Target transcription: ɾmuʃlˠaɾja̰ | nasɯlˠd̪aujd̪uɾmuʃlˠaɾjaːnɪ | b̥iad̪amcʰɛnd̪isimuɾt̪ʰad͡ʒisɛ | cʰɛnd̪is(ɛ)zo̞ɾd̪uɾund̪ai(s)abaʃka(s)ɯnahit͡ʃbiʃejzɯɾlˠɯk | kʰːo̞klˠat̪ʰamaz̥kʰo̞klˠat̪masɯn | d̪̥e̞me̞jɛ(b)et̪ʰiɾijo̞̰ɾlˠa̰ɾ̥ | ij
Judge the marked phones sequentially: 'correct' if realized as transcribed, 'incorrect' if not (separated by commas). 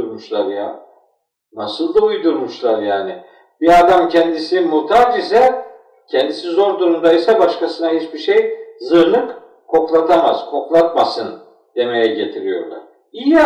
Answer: incorrect, correct, correct, incorrect